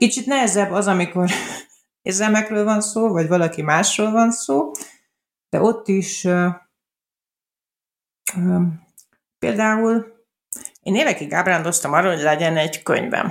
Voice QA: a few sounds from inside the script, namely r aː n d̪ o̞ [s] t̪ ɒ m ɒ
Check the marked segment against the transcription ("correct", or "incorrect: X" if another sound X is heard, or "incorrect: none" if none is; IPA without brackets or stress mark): correct